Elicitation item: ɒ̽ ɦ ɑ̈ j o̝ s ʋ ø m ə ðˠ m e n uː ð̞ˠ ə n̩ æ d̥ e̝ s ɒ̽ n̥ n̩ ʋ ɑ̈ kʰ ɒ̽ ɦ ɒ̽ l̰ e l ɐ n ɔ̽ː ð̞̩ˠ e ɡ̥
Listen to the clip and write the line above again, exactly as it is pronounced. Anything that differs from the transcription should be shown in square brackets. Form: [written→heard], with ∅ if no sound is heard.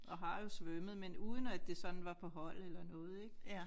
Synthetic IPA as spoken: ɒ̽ ɦ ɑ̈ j o̝ s ʋ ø m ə ðˠ m e n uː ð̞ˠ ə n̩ æ d̥ e̝ s ɒ̽ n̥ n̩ ʋ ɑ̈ [kʰ→pʰ] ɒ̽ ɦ ɒ̽ l̰ e l ɐ n ɔ̽ː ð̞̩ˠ e ɡ̥